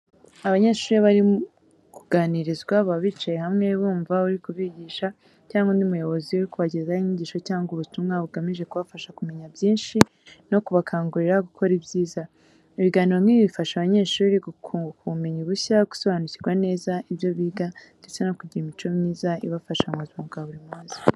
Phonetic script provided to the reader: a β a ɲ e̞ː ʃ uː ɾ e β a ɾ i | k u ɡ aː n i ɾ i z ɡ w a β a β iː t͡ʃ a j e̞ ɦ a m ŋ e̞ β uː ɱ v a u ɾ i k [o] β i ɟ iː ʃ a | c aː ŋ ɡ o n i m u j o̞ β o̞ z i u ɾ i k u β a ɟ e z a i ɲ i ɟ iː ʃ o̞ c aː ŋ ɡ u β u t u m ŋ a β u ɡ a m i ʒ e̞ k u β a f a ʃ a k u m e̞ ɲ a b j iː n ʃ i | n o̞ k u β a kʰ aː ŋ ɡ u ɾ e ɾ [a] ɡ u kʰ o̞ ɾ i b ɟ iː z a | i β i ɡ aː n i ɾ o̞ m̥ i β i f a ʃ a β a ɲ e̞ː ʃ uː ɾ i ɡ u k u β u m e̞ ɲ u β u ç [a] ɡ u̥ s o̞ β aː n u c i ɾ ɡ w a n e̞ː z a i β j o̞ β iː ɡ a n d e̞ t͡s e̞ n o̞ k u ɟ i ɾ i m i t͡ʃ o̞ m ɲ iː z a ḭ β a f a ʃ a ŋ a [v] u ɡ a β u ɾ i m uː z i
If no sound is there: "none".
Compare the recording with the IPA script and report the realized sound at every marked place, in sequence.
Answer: u, a, a, z

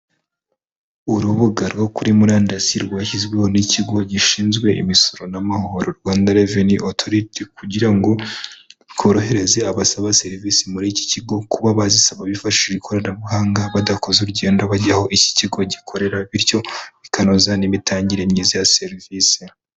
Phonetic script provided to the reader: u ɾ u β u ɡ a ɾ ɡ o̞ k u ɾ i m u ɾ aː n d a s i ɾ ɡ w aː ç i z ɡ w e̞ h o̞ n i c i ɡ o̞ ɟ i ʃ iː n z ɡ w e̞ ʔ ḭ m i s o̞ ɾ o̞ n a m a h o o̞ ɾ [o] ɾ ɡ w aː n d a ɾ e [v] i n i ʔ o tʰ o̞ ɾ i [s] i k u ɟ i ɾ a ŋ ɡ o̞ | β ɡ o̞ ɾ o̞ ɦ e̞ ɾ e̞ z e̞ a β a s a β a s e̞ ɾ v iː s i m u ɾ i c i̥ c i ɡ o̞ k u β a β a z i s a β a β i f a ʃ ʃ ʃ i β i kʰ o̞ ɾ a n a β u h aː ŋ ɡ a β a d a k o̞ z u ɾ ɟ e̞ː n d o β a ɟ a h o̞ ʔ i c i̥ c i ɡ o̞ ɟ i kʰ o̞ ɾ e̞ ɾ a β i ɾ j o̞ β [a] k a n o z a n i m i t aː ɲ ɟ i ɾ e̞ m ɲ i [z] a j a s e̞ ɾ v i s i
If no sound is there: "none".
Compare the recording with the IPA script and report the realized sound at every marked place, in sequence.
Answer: o, v, t, i, z

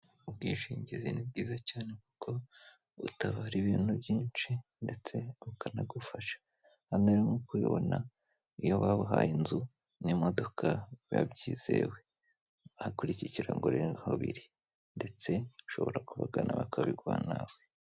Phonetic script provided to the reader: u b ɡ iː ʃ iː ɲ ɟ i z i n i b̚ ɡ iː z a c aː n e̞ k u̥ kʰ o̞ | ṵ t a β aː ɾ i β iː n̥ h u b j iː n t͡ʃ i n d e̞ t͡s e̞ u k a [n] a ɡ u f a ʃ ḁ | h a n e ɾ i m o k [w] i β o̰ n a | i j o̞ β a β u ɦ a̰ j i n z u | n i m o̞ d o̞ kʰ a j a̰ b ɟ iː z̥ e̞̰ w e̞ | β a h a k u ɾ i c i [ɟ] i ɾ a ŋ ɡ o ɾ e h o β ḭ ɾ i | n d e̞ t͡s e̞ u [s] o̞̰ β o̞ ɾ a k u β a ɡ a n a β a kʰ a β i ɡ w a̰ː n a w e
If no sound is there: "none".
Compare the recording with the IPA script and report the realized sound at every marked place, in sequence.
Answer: n, u, c, ʃ

